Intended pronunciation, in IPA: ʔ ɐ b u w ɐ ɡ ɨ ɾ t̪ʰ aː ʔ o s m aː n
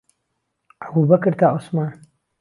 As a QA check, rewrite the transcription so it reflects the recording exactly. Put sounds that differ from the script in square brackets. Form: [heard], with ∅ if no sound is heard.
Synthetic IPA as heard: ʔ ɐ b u [b] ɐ [k] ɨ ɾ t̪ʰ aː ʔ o s m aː n